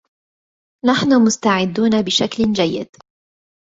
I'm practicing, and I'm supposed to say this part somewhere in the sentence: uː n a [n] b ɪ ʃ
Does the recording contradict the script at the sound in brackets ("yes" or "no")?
yes